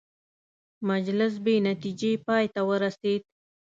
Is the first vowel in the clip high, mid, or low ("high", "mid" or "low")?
low